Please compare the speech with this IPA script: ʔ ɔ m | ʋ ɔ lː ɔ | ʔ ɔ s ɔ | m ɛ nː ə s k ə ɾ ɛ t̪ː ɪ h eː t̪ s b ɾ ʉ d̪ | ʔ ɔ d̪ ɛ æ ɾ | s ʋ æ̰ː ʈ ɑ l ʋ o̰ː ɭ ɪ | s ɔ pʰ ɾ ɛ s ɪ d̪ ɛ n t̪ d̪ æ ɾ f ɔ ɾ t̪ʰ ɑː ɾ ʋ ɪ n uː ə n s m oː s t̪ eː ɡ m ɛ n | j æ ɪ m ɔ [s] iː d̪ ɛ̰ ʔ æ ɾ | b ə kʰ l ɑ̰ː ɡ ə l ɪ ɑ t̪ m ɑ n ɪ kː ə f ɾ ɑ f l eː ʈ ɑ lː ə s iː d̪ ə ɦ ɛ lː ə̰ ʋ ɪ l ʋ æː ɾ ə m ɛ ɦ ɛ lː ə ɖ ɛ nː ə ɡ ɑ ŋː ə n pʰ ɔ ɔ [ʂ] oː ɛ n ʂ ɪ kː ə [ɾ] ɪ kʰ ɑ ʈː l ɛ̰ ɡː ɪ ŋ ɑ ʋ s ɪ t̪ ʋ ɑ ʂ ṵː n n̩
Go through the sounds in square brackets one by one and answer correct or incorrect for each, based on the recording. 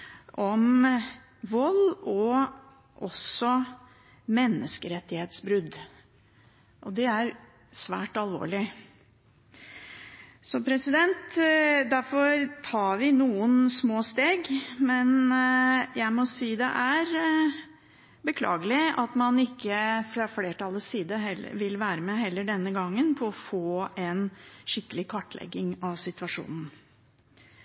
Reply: correct, incorrect: f, incorrect: l

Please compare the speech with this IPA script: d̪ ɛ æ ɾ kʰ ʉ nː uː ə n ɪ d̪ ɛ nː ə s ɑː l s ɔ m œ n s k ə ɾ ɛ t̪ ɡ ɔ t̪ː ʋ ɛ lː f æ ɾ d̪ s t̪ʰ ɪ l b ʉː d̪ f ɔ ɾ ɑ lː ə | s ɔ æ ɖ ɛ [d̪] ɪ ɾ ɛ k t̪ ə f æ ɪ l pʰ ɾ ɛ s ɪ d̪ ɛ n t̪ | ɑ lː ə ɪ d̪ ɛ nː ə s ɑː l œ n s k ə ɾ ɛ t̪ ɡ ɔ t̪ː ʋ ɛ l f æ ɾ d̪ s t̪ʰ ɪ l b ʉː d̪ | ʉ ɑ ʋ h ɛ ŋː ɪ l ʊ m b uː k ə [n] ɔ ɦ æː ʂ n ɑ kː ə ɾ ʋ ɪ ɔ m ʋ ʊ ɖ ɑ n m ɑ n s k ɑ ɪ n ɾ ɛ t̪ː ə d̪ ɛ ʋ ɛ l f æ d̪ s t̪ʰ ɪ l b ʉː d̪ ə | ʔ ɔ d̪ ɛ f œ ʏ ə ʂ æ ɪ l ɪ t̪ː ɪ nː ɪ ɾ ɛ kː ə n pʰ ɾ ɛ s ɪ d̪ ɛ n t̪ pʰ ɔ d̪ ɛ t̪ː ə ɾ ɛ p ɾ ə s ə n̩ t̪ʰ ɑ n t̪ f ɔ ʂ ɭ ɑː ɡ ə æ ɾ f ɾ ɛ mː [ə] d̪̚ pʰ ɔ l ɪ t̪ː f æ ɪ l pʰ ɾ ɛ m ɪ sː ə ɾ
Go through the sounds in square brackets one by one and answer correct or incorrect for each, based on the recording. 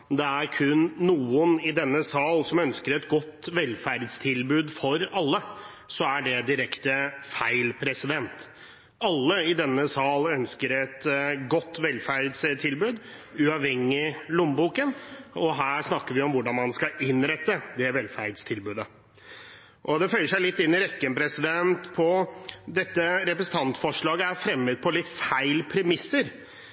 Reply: correct, correct, correct

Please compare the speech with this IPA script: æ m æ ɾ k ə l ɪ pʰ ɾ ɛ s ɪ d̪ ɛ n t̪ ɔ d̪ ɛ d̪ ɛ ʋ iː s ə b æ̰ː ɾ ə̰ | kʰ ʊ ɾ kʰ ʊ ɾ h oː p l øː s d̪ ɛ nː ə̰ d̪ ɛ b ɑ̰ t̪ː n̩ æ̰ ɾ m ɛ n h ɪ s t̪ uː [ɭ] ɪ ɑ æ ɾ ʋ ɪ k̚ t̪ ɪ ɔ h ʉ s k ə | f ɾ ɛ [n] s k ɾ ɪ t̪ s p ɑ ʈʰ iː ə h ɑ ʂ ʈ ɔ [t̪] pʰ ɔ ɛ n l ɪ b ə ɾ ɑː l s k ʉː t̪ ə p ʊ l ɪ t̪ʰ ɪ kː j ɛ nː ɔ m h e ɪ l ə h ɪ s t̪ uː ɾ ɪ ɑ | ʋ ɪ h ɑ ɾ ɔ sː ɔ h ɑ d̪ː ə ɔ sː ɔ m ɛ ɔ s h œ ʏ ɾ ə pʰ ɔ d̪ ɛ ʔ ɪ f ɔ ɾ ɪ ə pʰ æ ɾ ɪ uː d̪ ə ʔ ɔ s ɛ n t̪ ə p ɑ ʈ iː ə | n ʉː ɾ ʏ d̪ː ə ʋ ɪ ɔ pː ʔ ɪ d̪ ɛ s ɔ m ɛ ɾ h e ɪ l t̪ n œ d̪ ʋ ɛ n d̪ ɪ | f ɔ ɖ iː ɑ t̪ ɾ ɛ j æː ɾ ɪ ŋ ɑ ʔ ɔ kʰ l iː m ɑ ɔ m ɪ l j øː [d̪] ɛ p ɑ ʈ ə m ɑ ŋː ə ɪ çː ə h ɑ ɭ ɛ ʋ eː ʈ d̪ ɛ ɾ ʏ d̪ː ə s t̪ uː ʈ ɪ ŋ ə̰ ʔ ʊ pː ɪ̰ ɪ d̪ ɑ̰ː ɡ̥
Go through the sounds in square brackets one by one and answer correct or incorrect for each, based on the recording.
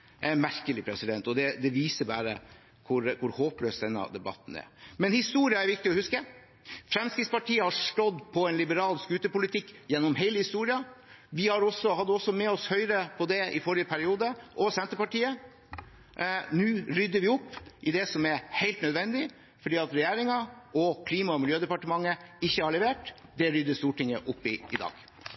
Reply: incorrect: ɾ, incorrect: m, incorrect: d̪, correct

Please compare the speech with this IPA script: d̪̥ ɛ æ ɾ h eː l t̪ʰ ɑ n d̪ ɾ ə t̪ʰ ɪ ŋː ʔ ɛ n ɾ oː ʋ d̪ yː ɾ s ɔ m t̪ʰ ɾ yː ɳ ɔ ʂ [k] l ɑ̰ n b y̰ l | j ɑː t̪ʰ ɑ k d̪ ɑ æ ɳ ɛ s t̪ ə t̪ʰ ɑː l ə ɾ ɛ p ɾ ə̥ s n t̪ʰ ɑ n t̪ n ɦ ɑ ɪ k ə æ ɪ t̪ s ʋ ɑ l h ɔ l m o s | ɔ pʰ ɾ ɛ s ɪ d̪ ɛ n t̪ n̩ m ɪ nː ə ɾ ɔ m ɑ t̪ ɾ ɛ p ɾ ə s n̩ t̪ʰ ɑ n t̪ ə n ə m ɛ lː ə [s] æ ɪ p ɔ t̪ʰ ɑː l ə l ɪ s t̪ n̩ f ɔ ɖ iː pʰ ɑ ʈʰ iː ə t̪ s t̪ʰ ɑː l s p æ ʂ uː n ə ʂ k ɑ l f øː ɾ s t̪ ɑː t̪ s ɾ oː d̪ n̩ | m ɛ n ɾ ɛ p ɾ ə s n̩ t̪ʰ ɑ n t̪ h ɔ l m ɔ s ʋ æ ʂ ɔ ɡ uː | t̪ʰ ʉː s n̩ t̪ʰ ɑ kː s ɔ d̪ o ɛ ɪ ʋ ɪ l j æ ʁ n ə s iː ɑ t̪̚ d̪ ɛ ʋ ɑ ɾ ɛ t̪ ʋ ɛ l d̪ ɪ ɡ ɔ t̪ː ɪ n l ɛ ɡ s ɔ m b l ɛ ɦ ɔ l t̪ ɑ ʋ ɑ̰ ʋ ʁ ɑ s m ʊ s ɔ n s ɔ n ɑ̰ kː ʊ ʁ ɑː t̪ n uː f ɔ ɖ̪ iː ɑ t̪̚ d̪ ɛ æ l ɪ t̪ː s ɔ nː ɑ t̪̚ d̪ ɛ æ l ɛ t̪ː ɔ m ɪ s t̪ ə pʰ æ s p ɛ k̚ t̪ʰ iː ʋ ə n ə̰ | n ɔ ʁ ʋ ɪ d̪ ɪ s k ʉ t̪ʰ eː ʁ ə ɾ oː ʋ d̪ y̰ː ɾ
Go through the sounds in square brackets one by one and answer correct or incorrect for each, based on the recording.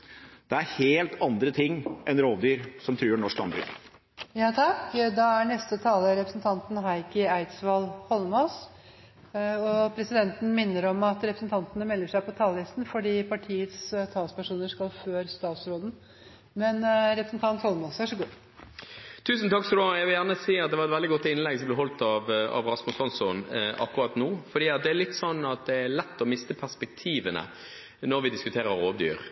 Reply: correct, incorrect: ʂ

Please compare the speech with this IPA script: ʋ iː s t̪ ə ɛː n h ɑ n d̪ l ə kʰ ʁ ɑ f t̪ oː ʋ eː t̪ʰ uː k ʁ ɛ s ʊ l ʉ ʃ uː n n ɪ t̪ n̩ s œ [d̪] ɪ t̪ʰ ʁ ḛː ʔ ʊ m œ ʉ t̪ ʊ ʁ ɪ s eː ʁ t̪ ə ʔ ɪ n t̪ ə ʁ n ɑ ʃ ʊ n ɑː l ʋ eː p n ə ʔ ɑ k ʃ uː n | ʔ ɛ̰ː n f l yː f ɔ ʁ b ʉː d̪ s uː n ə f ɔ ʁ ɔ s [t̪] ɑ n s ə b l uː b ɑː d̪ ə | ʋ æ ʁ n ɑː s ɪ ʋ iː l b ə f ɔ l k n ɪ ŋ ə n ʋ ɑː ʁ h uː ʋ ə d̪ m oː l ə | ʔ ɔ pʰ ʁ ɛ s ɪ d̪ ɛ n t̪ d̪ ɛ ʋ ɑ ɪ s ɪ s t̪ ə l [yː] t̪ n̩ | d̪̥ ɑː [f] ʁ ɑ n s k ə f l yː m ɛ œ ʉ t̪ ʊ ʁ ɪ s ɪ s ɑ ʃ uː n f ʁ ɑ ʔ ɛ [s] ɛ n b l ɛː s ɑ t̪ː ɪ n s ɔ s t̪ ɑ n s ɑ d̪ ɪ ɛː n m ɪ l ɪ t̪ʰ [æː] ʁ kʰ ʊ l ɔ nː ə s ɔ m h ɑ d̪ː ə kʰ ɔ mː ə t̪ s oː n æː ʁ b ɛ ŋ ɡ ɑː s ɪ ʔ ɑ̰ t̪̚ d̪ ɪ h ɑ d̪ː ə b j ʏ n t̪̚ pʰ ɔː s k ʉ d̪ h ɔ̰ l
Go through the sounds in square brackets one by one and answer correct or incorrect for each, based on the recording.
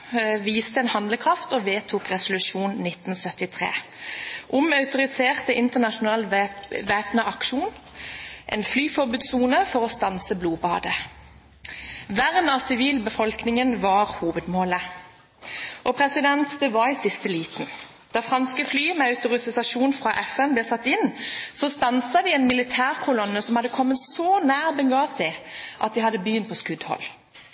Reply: incorrect: t̪, correct, incorrect: iː, correct, incorrect: f, correct

